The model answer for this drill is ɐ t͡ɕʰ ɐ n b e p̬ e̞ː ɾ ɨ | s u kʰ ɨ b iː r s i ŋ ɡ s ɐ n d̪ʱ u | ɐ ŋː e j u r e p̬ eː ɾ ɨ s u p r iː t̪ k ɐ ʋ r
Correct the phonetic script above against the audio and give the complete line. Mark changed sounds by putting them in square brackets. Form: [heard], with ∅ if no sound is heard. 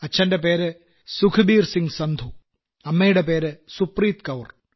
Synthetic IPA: ɐ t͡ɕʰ ɐ n [d] e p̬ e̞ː ɾ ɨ | s u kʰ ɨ b iː r s i ŋ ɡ s ɐ n d̪ʱ u | ɐ [mː] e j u [ɽ] e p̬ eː ɾ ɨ s u p r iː t̪ k ɐ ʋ r